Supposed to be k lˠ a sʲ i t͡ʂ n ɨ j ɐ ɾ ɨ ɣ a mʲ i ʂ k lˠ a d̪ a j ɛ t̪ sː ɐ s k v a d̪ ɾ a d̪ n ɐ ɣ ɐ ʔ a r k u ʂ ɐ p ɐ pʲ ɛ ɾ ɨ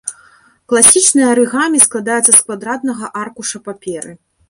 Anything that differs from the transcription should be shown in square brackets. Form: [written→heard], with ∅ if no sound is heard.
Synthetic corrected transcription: k lˠ a sʲ i t͡ʂ n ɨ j ɐ ɾ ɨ ɣ a mʲ i [ʂ→s] k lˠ a d̪ a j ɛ t̪ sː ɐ s k v a d̪ ɾ a d̪ n ɐ ɣ ɐ ʔ a r k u ʂ ɐ p [ɐ→a] pʲ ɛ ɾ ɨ